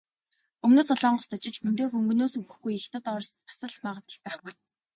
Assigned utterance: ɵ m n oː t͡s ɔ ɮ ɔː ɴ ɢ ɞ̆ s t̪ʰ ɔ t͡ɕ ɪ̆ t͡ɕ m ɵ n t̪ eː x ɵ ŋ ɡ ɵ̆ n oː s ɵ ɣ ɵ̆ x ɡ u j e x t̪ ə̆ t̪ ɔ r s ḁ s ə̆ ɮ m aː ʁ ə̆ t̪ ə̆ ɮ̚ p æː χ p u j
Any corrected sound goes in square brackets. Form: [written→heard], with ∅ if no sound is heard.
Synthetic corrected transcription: ɵ m n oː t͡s ɔ ɮ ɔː ɴ ɢ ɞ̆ s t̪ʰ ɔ t͡ɕ ɪ̆ t͡ɕ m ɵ n t̪ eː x ɵ ŋ ɡ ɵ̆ n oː s ɵ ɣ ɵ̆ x ɡ u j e x t̪ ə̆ t̪ ɔ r s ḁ s ə̆ ɮ m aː ʁ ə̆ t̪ ə̆ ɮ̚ p æː χ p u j

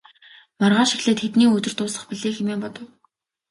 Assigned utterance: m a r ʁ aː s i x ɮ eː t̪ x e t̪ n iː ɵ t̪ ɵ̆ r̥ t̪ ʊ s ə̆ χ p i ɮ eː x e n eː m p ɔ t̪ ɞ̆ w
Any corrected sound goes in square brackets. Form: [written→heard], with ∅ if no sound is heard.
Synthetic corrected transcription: m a r ʁ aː [s→ʃ] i x ɮ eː t̪ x e t̪ n iː ɵ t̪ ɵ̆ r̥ t̪ [ʊ→ʊː] s ə̆ χ p i ɮ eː x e [n→m] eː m p ɔ t̪ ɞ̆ w

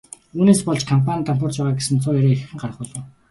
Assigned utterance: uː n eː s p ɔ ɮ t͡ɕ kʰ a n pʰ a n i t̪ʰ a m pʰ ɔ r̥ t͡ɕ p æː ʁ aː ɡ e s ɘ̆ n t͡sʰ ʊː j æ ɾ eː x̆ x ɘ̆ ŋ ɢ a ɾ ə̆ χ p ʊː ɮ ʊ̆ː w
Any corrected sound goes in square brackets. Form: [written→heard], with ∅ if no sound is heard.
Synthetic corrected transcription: uː n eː s p ɔ ɮ t͡ɕ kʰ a [n→m] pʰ a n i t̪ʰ a m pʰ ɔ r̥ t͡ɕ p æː ʁ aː ɡ e s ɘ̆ n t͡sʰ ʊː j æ ɾ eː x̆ x ɘ̆ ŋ ɢ a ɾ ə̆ χ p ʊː ɮ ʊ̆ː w

